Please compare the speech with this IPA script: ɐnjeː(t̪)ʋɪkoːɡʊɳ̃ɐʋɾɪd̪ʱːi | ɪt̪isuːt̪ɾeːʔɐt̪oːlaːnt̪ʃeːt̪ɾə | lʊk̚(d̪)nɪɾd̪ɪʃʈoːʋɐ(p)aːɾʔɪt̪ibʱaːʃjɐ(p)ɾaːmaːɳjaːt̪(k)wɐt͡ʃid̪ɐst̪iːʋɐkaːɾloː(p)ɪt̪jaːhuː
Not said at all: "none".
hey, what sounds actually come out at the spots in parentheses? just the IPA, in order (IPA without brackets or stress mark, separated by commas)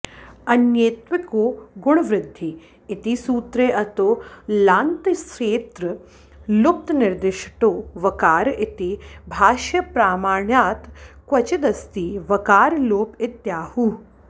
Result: t̪, t̪, k, p, k, p